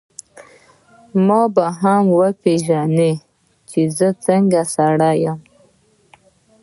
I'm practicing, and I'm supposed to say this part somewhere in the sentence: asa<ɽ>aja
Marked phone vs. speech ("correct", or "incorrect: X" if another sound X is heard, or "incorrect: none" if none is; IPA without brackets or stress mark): correct